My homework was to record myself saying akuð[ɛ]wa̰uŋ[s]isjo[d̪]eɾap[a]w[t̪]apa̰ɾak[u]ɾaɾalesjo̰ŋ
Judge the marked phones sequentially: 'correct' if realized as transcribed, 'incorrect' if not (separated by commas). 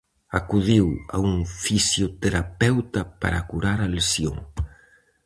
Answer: incorrect, incorrect, incorrect, incorrect, correct, correct